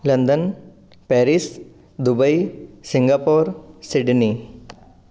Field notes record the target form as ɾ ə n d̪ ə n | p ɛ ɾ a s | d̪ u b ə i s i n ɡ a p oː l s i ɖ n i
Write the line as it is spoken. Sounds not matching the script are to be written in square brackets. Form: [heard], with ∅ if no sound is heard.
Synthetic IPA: [l] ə n d̪ ə n | p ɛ ɾ [i] s | d̪ u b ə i s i [ŋ] ɡ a p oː [ɾ] s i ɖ n i